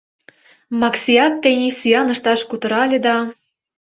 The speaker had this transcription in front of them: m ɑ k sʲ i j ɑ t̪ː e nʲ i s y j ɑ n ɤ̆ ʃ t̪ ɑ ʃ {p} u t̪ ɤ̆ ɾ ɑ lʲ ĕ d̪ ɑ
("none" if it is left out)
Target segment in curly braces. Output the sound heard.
k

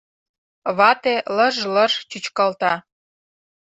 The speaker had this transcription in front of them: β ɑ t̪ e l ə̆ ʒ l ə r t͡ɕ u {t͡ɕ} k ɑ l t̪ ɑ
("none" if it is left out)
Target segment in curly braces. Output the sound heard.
t͡ɕ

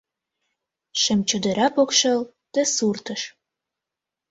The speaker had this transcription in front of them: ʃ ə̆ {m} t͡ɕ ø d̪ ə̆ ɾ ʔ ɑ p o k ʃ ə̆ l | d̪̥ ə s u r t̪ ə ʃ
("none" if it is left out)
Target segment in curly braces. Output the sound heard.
m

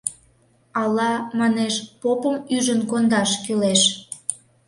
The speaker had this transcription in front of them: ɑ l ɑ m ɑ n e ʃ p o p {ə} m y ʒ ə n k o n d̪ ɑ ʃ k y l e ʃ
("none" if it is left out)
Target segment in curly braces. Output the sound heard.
ə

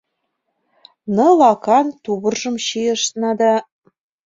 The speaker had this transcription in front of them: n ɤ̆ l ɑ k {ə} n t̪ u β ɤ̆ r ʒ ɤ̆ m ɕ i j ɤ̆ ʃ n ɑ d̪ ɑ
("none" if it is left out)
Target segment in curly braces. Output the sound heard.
ɑ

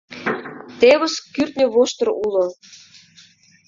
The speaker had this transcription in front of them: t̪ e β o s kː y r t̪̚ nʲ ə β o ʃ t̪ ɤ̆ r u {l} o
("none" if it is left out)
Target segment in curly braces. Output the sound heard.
l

